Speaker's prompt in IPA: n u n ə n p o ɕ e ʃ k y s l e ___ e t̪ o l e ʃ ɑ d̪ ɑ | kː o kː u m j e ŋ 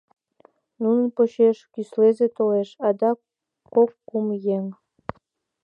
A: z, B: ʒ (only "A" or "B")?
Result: A